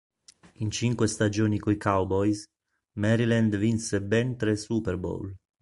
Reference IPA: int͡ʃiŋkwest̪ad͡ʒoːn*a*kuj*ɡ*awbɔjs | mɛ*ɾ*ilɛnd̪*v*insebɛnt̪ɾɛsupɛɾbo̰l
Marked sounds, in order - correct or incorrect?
incorrect: i, incorrect: k, correct, correct

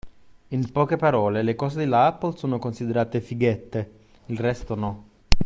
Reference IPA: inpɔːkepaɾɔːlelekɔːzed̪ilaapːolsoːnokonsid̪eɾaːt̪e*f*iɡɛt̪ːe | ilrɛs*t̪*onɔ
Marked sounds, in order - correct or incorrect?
correct, correct

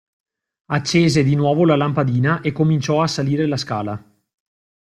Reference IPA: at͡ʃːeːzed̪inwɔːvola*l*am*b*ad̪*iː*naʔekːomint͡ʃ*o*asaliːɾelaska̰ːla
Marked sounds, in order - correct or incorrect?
correct, incorrect: p, correct, incorrect: ɔ

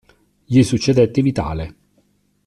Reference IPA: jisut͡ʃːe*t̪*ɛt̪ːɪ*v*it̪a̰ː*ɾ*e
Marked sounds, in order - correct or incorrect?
incorrect: d̪, correct, incorrect: l

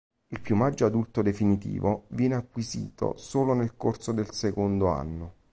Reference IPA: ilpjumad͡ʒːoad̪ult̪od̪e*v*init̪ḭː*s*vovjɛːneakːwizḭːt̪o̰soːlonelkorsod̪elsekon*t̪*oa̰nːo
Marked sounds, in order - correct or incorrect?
incorrect: f, incorrect: none, incorrect: d̪

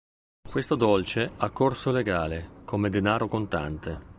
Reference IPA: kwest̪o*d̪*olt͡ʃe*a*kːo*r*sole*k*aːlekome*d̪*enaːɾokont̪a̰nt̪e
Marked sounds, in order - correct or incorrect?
correct, correct, correct, incorrect: ɡ, correct

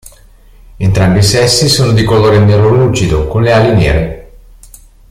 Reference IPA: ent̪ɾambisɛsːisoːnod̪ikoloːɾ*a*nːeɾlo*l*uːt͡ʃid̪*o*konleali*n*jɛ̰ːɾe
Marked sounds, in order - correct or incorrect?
incorrect: e, correct, correct, correct

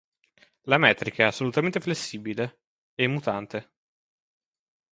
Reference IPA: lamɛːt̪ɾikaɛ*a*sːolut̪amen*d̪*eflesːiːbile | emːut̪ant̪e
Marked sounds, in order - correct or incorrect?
correct, incorrect: t̪

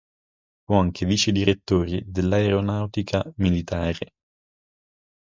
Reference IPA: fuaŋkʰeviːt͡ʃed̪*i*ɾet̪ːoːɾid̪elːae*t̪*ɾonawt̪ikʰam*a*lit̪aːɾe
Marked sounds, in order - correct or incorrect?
correct, incorrect: none, incorrect: i

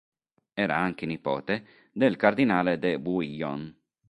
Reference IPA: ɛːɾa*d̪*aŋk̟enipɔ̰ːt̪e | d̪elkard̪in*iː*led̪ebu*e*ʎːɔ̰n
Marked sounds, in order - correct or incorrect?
incorrect: none, incorrect: aː, incorrect: i

